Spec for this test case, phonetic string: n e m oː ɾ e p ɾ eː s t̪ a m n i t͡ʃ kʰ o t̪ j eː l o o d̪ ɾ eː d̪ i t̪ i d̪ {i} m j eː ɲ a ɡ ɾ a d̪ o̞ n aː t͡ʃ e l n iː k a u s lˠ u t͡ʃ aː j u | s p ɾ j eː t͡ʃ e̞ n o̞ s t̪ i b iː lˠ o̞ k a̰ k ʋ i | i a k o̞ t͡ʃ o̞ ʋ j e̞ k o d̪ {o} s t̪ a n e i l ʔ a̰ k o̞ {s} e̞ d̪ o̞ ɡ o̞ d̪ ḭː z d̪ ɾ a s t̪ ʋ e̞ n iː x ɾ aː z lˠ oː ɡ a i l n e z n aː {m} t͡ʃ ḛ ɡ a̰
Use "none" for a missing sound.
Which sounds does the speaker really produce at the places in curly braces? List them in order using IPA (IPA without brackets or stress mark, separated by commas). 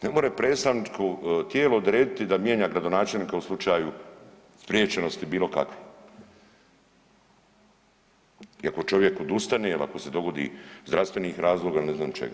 a, u, s, m